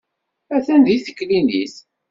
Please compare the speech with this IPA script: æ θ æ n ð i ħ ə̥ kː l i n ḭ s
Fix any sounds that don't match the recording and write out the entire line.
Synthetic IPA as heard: æ θ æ n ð i θ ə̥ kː l i n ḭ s